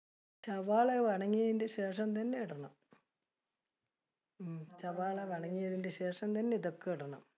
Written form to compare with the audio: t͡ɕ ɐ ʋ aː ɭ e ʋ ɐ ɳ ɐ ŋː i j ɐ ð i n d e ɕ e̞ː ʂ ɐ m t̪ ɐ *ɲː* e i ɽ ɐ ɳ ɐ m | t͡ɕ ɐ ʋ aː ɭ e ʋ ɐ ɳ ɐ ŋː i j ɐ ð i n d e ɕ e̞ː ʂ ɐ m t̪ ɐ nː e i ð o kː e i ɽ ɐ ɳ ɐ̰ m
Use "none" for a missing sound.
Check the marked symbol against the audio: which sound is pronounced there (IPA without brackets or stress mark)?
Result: nː